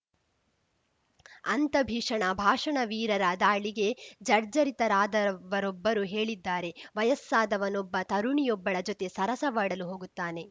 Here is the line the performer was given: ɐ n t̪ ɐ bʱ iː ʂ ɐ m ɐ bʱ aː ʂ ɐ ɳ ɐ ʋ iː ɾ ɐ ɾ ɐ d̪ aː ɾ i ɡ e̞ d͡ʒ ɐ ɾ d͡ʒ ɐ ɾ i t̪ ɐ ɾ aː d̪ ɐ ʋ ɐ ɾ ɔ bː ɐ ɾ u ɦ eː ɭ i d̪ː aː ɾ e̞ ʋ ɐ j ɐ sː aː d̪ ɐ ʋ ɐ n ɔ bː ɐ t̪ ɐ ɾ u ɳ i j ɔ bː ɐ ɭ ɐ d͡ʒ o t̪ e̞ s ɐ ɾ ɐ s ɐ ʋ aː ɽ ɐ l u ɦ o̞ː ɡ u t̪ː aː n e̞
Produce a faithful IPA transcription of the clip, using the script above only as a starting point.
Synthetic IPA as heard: ɐ n t̪ ɐ bʱ iː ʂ ɐ ɳ ɐ bʱ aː ʂ ɐ ɳ ɐ ʋ iː ɾ ɐ ɾ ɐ d̪ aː ɭ i ɡ e̞ d͡ʒ ɐ ɾ d͡ʒ ɐ ɾ i t̪ ɐ ɾ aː d̪ ɐ ʋ ɐ ɾ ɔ bː ɐ ɾ u ɦ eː ɭ i d̪ː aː ɾ e̞ ʋ ɐ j ɐ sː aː d̪ ɐ ʋ ɐ n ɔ bː ɐ t̪ ɐ ɾ u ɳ i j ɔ bː ɐ ɭ ɐ d͡ʒ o t̪ e̞ s ɐ ɾ ɐ s ɐ ʋ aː ɽ ɐ l u ɦ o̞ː ɡ u t̪ː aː n e̞